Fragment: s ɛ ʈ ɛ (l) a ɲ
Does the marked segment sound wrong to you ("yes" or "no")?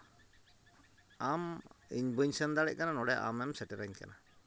yes